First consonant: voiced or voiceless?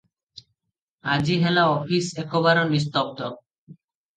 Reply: voiced